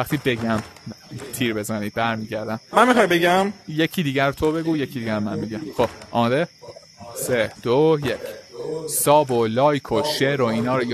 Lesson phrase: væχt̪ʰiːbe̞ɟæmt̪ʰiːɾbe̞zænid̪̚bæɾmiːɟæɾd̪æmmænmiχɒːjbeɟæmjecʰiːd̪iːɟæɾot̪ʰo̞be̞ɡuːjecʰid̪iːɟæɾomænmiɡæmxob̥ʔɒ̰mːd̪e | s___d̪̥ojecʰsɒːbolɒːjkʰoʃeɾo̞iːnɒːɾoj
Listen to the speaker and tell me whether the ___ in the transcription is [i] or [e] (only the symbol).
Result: e